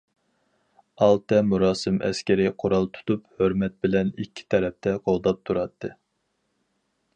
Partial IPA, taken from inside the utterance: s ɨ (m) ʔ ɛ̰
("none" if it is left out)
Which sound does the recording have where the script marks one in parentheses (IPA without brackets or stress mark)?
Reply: m